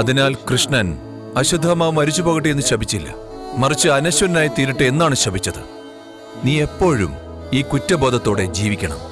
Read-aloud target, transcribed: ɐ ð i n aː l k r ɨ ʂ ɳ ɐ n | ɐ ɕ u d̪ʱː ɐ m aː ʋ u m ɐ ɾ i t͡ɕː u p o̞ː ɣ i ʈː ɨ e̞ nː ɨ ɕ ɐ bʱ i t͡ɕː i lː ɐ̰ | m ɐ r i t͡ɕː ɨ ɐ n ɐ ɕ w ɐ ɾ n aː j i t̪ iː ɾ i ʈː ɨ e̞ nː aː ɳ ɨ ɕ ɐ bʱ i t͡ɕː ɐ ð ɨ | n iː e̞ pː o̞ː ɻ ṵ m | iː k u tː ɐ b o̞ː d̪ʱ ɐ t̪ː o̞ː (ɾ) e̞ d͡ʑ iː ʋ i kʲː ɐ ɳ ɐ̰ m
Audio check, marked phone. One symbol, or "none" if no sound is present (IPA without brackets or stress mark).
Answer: ɽ